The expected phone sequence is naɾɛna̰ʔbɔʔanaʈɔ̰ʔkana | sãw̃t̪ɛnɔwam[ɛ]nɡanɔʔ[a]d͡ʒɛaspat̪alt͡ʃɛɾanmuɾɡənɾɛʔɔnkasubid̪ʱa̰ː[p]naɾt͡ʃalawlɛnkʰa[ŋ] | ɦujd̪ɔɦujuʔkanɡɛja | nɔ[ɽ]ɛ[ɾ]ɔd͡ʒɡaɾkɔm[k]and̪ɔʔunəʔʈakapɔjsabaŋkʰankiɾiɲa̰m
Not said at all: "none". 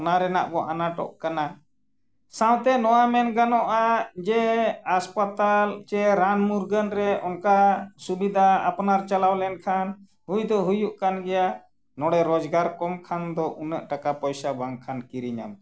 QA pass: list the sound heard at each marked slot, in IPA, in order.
ɛ, a, p, n, ɽ, ɾ, kʰ

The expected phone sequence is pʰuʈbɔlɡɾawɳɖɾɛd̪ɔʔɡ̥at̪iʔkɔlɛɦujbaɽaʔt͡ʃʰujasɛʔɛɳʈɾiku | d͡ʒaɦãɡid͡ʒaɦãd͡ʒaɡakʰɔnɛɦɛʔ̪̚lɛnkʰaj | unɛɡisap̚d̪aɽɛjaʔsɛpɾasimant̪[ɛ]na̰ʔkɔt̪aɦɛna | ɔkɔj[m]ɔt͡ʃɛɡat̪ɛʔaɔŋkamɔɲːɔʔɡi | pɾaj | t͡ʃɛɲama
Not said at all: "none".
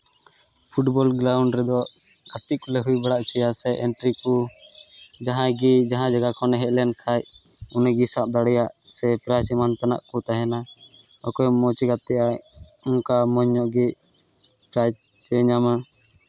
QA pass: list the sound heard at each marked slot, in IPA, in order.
a, m

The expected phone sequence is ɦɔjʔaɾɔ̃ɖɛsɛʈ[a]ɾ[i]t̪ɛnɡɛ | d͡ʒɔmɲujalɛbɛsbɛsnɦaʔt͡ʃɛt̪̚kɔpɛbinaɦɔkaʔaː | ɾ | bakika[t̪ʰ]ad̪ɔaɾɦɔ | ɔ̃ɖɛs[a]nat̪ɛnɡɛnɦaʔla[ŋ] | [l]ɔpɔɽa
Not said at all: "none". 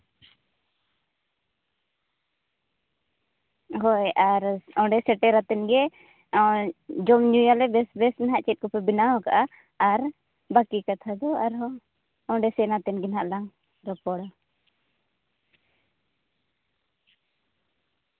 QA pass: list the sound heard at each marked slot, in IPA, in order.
ɛ, a, t̪ʰ, ɛ, ŋ, ɾ

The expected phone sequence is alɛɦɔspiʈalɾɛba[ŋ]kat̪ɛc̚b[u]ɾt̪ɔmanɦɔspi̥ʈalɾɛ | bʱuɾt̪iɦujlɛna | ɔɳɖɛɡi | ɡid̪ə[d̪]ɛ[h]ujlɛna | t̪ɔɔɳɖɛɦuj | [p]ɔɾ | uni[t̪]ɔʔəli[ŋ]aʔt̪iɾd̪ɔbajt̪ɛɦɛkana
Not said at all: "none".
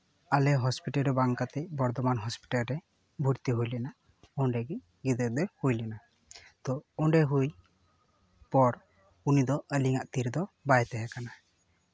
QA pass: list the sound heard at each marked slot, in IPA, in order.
ŋ, ɔ, d̪, h, p, d̪, ŋ

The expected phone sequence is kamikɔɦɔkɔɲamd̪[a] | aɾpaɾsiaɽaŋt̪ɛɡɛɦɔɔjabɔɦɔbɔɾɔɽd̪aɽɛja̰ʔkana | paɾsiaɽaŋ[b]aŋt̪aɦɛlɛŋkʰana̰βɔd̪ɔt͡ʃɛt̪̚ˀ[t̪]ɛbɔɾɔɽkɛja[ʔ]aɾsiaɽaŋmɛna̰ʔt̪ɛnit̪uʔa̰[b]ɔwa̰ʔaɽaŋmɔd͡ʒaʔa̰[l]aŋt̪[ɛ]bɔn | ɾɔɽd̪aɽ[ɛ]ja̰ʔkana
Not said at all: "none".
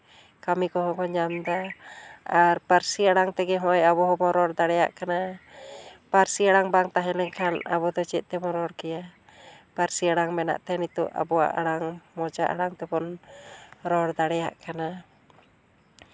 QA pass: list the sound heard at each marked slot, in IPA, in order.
a, b, t̪, p, b, ɽ, ɛ, ɛ

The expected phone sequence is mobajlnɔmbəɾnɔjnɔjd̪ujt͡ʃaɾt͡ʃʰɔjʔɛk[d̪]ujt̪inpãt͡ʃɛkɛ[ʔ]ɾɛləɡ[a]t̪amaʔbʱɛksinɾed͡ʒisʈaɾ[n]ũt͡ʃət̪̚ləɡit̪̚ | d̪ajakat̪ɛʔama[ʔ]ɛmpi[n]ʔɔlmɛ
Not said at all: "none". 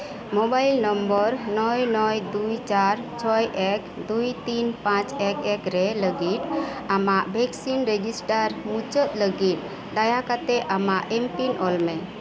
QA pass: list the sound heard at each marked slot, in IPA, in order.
d̪, k, i, m, ʔ, n

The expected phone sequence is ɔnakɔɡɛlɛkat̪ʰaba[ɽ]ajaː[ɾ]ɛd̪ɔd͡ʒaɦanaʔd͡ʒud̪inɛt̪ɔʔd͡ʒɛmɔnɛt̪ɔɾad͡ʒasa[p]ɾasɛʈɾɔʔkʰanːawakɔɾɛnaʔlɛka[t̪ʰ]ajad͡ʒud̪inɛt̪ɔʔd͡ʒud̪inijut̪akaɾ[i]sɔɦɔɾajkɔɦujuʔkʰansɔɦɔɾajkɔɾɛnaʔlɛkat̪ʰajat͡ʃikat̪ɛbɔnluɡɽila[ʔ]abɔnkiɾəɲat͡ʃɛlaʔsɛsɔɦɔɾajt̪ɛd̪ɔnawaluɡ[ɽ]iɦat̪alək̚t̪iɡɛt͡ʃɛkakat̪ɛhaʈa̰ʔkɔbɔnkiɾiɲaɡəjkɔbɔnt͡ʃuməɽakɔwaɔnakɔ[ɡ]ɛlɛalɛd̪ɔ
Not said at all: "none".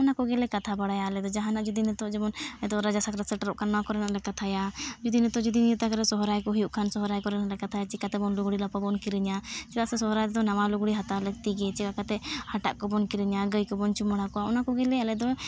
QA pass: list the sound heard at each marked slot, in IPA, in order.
ɽ, l, k, t̪ʰ, ɛ, p, ɽ, ɡ

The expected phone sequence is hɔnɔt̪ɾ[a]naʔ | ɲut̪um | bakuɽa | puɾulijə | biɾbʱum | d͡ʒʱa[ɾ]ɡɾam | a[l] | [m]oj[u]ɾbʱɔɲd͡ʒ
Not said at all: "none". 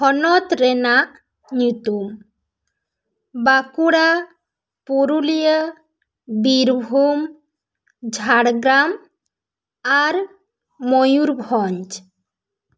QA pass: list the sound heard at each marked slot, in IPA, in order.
ɛ, ɽ, ɾ, m, u

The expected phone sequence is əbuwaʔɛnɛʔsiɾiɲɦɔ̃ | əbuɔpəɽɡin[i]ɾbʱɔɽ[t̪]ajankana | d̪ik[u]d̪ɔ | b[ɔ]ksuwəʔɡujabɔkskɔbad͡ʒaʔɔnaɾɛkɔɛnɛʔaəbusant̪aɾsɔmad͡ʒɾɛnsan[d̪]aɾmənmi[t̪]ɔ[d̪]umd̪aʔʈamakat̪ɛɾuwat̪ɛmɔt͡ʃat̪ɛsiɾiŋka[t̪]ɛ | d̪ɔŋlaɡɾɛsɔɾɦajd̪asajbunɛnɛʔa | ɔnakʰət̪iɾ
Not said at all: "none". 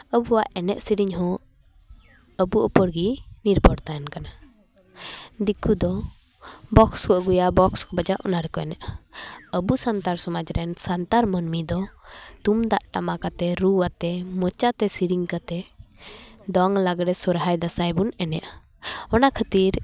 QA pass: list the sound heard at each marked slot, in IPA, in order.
i, t̪, u, ɔ, t̪, d̪, t̪, t̪

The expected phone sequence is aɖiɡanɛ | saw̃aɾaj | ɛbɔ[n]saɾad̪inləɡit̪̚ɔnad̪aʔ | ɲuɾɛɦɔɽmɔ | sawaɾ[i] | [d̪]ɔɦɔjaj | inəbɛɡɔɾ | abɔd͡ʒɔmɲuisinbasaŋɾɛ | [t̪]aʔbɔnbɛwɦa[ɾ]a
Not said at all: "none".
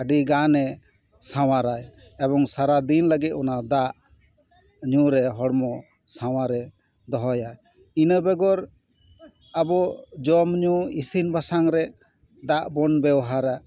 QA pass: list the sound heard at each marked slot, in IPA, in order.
ŋ, ɛ, d̪, d̪, ɾ

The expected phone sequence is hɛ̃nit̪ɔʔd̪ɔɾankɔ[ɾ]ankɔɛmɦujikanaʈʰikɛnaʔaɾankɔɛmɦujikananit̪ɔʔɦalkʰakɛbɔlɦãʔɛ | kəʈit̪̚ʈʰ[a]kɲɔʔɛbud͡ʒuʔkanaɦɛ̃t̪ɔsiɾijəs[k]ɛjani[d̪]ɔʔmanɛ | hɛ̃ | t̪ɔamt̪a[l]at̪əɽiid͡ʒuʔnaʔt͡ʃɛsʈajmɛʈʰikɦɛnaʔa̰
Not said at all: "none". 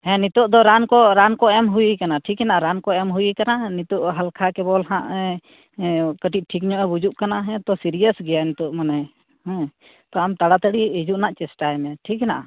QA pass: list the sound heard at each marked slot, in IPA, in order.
ɾ, i, ɡ, t̪, ɽ

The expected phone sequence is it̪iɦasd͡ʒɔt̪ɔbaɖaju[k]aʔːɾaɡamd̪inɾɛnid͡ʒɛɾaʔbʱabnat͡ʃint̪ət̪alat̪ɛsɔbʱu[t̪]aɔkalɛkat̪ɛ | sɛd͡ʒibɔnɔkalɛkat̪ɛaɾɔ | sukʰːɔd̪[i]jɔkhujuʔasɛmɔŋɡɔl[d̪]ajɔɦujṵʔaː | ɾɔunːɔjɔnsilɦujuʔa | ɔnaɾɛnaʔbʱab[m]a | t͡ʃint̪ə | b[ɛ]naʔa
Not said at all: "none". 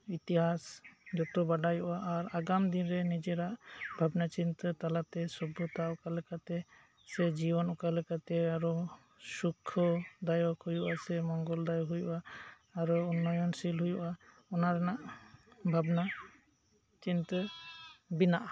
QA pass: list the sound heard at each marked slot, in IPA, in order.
ʔ, t̪, a, d̪, n, i

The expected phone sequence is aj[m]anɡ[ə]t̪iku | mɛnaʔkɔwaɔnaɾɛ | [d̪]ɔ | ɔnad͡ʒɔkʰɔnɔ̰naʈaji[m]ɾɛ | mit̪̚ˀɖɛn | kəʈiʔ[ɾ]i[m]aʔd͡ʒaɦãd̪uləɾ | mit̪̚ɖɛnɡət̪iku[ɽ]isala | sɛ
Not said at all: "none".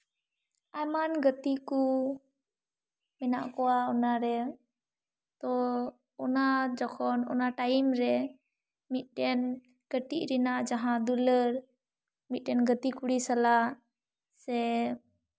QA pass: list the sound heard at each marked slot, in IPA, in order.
m, ə, t̪, m, ɾ, n, ɽ

